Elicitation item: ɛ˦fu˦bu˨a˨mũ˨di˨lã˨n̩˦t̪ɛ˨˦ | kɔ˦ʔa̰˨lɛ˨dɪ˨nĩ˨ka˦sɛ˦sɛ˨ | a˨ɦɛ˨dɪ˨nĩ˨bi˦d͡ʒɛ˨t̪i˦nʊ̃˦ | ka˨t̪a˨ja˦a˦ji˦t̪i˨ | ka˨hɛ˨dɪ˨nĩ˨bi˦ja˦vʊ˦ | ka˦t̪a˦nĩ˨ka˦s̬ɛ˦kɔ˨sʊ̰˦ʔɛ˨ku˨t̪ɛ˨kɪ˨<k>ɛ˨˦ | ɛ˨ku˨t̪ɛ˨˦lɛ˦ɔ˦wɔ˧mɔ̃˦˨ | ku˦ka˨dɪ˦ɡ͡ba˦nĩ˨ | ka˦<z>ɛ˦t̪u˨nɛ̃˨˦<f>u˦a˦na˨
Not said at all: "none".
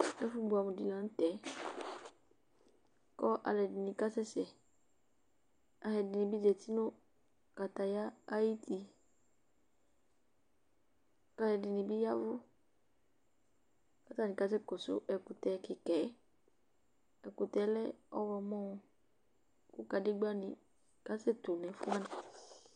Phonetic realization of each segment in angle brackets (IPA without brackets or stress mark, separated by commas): k, s, f